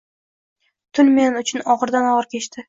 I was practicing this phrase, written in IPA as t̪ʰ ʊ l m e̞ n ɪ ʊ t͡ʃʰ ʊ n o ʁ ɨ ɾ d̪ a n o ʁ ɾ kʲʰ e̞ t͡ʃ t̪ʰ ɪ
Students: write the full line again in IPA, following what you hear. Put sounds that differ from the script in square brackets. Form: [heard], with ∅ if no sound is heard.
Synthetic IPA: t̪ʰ ʊ l m e̞ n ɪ ʊ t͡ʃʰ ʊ n [ɒ] ʁ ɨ ɾ d̪ a n [ɒ] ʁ ɾ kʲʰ e̞ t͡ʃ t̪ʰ ɪ